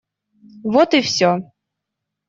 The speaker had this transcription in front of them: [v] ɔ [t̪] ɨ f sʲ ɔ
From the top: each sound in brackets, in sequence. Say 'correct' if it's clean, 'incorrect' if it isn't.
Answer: correct, correct

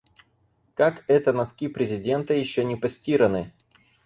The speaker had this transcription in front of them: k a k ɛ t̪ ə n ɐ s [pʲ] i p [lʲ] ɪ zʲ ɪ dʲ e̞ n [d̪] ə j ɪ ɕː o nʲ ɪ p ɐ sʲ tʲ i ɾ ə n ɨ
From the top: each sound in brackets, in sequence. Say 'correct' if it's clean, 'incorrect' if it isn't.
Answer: incorrect: kʲ, incorrect: ɾʲ, incorrect: t̪

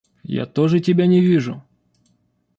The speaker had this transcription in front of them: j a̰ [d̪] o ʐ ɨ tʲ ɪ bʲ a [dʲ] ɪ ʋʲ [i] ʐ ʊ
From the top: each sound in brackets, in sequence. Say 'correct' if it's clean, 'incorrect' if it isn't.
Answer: incorrect: t̪, incorrect: nʲ, correct

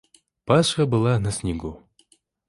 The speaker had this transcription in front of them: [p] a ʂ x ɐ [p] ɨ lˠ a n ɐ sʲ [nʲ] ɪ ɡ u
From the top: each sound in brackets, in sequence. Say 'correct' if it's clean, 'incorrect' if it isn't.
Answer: correct, incorrect: b, correct

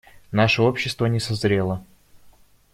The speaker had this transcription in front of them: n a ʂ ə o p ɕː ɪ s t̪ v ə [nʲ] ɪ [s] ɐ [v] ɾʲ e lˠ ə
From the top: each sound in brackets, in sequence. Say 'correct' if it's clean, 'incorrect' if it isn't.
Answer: correct, correct, incorrect: z

